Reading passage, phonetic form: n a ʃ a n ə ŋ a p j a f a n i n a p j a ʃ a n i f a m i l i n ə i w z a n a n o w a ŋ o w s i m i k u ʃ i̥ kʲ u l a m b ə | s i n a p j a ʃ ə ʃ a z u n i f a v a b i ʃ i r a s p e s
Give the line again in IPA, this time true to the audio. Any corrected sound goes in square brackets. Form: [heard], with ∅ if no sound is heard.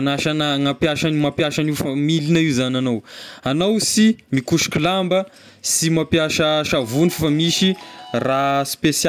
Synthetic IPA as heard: n a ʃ a n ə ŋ a p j a [ʃ] a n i [m] a p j a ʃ a n i f a m i l i n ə i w z a n a n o w a [n] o w s i m i k u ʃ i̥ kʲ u l a m b ə | s i [m] a p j a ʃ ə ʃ a [v] u n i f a [f] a [m] i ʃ i r a s p e s

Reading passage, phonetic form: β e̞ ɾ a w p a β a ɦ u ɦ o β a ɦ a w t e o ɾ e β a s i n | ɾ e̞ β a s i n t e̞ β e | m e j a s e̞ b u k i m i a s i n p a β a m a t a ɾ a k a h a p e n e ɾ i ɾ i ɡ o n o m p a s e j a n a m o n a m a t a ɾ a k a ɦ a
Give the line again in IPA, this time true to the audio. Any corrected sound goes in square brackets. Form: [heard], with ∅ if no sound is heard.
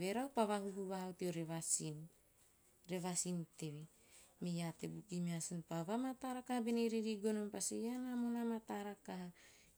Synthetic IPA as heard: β e̞ ɾ a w p a β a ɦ u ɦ [u] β a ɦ a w t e o ɾ e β a s i n | ɾ e̞ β a s i n t e̞ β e | m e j a [t] e̞ b u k i m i a s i n p a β a m a t a ɾ a k a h a [b] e n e ɾ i ɾ i ɡ o n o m p a s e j a n a m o n a m a t a ɾ a k a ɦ a

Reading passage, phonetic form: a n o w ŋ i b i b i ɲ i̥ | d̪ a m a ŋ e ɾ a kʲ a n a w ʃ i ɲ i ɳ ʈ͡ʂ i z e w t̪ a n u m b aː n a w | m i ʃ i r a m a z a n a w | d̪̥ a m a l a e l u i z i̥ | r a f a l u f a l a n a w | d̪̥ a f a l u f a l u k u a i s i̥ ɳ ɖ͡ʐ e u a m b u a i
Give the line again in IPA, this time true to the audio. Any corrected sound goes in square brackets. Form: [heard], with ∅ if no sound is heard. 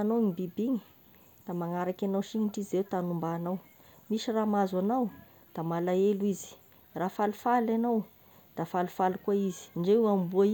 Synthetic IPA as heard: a n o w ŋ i b i b i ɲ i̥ | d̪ a m a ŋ [a] ɾ a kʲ a n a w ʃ i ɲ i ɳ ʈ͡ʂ i z e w t̪ a n u m b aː n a w | m i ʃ i r a m a z a n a w | d̪̥ a m a l a e l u i z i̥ | r a f a l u f a l a n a w | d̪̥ a f a l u f a l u k u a i [z] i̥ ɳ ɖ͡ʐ e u a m b u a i

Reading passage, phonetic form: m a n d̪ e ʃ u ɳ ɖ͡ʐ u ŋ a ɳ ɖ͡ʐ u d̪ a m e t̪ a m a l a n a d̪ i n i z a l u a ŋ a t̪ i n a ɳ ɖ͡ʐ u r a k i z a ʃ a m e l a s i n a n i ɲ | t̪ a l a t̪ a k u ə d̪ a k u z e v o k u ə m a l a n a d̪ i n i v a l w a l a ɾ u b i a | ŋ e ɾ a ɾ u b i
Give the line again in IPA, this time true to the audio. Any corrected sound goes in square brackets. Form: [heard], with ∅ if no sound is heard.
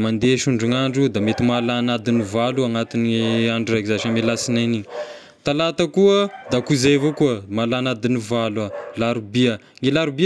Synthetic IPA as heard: m a n d̪ e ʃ u ɳ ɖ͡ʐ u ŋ a ɳ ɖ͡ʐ u d̪ a m e t̪ [i] m a l a n a d̪ i n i [v] a l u a ŋ a t̪ i n a ɳ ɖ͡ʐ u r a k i z a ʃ a m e l a s i n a n i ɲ | t̪ a l a t̪ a k u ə d̪ a k u z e v o k u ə m a l a n a d̪ i n i v a l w a l a ɾ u b i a | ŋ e [l] a ɾ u b i

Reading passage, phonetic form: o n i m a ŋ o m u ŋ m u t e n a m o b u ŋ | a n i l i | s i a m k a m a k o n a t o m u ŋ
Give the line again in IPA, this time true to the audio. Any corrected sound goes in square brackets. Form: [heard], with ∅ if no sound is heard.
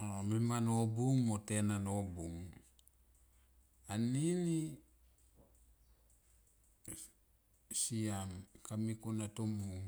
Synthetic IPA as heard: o [m] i m a [n] o [b] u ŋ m [o] t e n a [n] o b u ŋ | a n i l i | s i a m k a m [i] k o n a t o m u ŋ

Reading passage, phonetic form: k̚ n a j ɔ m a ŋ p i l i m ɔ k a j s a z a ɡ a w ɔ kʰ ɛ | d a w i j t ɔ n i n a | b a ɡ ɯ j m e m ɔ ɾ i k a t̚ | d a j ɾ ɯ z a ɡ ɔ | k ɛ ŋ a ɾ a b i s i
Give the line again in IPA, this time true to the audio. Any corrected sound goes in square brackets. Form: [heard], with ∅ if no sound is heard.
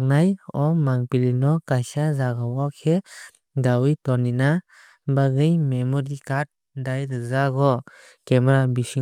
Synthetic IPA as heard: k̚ n a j ɔ m a ŋ p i l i [n] ɔ k a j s a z a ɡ a w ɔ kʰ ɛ | d a w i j t ɔ n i n a | b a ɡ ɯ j m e m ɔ ɾ i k a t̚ | d a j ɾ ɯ z a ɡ ɔ | k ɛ [m] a ɾ a b i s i

